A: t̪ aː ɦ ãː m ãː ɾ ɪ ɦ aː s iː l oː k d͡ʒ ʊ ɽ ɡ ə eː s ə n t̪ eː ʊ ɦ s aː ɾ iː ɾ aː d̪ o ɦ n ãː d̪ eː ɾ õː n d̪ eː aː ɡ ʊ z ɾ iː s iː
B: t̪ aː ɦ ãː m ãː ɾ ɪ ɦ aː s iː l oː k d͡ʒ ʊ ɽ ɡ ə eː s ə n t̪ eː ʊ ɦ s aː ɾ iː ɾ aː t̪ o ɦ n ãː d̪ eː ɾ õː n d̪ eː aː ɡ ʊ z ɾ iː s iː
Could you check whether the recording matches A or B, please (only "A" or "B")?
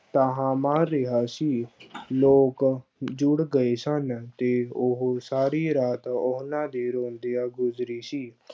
B